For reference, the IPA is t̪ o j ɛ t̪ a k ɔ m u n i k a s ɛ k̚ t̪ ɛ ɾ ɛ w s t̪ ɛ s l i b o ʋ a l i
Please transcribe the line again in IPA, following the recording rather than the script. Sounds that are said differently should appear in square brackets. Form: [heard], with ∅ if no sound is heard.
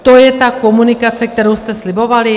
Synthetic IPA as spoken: t̪ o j ɛ t̪ a k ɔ m u n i k a [t͡s] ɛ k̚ t̪ ɛ ɾ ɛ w s t̪ ɛ s l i b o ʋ a l i